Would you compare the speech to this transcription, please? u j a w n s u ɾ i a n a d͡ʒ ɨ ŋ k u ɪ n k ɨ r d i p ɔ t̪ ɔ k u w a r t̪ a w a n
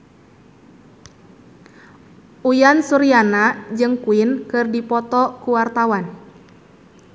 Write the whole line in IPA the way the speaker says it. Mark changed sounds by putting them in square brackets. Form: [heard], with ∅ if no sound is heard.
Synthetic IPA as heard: u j a [∅] n s u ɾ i a n a d͡ʒ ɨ ŋ k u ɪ n k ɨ r d i p ɔ t̪ ɔ k u w a r t̪ a w a n